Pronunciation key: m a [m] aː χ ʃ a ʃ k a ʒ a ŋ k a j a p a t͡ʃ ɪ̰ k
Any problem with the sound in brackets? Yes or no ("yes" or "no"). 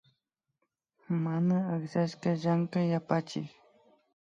yes